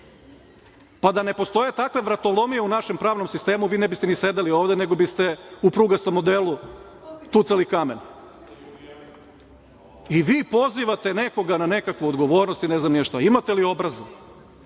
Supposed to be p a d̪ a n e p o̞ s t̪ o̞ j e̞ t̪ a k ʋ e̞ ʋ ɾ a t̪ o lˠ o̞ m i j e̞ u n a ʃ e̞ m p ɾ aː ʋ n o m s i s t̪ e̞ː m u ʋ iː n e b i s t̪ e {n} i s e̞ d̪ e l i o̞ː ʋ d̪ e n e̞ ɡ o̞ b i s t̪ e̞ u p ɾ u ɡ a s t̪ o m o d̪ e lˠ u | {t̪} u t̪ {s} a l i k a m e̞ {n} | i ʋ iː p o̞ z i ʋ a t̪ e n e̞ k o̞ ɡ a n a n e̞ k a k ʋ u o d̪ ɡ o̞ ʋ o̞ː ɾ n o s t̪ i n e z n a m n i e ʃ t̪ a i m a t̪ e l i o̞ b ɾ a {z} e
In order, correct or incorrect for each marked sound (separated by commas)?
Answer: correct, correct, correct, correct, correct